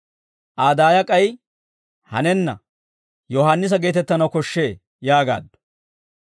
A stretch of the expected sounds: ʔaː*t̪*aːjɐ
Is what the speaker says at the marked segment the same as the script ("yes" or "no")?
no